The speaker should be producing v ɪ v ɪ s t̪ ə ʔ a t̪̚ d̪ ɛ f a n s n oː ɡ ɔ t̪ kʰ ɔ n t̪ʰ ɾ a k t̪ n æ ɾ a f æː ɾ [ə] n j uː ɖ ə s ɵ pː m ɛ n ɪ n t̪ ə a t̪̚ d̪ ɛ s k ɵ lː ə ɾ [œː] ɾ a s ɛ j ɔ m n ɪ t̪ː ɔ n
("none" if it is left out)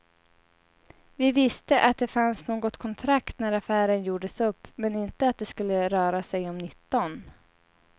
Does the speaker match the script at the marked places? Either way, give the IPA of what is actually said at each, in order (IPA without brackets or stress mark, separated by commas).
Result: ə, œː